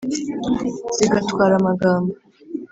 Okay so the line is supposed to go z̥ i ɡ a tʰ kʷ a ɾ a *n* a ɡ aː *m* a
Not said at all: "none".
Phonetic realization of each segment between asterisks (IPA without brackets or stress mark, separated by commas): m, m